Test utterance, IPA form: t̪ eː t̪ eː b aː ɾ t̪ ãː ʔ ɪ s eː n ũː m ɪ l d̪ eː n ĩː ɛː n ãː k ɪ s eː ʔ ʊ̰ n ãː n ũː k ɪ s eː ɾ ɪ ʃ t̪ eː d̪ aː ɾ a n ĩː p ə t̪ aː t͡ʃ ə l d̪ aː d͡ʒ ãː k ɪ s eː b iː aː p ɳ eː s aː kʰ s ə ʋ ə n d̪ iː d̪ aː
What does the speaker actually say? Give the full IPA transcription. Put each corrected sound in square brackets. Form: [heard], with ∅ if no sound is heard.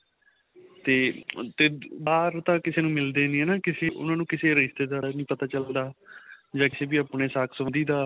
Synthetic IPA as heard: t̪ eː t̪ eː b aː ɾ t̪ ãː [k] ɪ s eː n ũː m ɪ l d̪ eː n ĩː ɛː n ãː k ɪ s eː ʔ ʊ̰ n ãː n ũː k ɪ s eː ɾ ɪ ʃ t̪ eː d̪ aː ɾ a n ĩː p ə t̪ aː t͡ʃ ə l d̪ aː d͡ʒ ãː k ɪ s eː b iː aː p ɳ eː s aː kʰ s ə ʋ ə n d̪ iː d̪ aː